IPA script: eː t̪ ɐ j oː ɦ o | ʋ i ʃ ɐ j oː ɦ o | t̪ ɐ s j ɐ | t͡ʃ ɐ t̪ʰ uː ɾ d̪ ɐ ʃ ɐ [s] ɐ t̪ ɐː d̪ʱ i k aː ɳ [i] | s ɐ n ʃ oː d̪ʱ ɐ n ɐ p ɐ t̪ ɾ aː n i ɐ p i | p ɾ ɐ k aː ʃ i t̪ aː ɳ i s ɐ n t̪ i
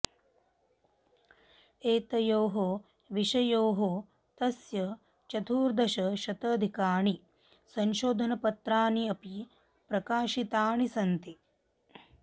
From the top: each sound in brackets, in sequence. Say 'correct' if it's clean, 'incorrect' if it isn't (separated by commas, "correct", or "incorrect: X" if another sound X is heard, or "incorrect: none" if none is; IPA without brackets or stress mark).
incorrect: ʃ, correct